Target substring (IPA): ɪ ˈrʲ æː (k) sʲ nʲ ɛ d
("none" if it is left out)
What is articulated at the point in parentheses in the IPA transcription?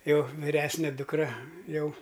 none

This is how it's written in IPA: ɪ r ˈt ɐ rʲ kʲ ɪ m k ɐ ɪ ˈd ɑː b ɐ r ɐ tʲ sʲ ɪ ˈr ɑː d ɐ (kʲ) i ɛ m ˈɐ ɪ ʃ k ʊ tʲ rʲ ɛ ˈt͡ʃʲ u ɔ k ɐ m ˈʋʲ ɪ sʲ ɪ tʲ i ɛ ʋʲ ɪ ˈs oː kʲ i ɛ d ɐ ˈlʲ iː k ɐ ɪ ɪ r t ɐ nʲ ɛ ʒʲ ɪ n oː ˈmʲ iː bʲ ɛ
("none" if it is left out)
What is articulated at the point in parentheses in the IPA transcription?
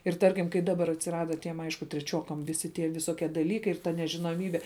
tʲ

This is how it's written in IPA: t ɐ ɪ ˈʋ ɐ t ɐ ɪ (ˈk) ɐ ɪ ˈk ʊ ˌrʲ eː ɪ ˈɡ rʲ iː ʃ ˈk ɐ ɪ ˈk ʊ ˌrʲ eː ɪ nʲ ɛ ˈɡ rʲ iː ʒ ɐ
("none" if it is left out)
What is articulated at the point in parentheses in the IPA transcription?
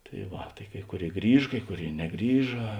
k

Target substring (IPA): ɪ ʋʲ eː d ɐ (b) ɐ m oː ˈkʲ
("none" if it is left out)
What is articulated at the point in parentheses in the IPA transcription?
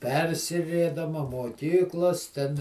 m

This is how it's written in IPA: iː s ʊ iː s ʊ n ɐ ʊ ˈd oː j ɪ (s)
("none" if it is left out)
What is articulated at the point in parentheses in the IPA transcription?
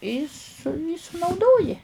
none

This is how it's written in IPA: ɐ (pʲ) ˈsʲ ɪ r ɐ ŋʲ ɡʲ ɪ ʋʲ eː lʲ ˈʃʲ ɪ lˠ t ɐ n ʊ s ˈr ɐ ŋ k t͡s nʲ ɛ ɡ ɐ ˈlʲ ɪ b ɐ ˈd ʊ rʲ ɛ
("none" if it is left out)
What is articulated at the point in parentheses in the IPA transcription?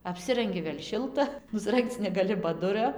pʲ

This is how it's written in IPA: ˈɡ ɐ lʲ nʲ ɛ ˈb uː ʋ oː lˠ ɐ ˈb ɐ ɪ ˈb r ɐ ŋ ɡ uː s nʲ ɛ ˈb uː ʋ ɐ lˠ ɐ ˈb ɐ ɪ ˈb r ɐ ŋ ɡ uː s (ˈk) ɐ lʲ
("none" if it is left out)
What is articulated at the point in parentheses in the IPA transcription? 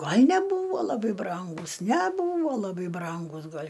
ɡ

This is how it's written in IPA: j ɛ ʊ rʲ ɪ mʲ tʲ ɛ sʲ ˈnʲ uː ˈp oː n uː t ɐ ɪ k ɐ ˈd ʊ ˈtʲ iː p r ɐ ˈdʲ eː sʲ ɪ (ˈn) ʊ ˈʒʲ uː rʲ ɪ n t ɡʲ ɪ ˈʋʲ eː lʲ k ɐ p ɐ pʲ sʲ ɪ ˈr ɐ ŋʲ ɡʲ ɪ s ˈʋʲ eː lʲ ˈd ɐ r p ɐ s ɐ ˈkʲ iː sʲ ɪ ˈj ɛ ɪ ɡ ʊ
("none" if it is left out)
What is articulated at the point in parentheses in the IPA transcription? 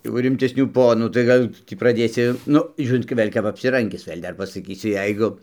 n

